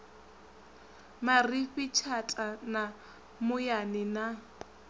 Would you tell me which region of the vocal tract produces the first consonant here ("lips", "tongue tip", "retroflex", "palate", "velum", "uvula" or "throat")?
lips